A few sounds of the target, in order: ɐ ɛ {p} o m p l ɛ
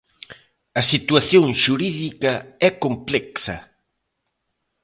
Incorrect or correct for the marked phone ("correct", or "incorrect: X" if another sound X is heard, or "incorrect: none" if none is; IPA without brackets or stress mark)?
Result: incorrect: k